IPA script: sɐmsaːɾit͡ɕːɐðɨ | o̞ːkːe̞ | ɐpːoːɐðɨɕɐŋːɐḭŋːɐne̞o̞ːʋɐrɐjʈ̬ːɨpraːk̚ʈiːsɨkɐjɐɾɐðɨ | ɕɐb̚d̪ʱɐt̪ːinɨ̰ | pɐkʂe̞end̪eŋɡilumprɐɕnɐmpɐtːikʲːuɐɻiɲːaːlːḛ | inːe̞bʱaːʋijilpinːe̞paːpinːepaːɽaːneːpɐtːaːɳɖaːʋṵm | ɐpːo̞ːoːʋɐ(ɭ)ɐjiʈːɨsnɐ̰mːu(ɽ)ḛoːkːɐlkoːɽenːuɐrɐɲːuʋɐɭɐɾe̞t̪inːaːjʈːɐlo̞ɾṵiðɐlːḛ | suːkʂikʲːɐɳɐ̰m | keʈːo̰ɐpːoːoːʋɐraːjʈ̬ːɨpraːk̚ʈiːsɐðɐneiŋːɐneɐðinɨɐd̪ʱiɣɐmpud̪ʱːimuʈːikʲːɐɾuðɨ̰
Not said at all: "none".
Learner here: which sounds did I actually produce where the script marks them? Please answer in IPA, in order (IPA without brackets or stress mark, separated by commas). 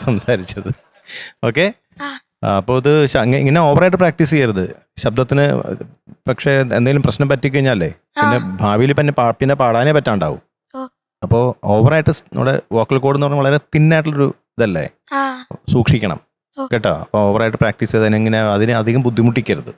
r, ɽ